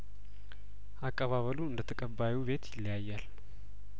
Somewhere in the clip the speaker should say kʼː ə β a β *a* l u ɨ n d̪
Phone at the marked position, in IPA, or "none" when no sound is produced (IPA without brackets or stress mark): ə